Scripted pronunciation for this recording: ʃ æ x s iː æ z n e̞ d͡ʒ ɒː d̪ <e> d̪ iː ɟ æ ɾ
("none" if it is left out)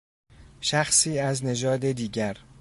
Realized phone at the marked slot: e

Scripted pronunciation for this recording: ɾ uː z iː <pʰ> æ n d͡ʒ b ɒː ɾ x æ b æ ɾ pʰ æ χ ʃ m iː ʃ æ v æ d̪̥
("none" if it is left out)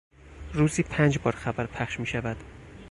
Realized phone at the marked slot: pʰ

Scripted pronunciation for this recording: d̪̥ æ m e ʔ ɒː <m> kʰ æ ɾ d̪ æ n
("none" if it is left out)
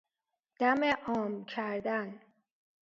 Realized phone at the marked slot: m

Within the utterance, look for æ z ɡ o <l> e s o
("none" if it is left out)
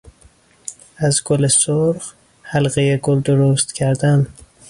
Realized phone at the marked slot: l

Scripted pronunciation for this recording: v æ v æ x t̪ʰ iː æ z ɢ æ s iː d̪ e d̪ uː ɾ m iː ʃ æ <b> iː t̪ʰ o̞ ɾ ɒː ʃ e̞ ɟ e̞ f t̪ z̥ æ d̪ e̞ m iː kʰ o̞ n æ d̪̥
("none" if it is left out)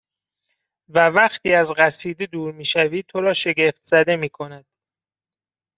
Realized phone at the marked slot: v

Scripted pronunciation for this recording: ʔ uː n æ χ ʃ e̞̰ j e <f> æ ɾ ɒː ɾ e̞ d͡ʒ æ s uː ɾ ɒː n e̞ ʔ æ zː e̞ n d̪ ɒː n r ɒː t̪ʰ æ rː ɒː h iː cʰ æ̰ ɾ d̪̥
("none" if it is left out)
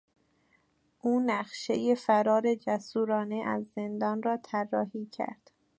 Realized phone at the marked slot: f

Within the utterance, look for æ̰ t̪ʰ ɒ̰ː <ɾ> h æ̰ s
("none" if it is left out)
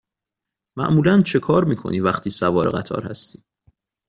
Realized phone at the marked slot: ɾ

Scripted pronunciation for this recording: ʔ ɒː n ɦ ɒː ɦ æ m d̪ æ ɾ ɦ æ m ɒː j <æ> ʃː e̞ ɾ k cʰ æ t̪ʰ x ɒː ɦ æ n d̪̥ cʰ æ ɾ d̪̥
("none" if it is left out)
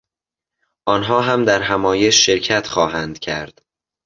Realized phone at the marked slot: e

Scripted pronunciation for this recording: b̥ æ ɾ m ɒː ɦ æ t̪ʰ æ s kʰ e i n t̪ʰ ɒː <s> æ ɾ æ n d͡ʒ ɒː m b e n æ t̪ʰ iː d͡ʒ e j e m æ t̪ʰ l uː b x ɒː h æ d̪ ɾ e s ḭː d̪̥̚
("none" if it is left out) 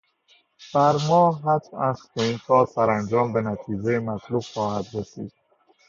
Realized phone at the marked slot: s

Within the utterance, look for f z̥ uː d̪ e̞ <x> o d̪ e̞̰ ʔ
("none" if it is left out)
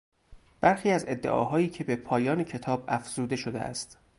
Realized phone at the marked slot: ʃ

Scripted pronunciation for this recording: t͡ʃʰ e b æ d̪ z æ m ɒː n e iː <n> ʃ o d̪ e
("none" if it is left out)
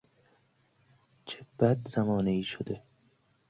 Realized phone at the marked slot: none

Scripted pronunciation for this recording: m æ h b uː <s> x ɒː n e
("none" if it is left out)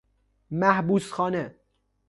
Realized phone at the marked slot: s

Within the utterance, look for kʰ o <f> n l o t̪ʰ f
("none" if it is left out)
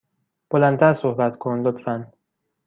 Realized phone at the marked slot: none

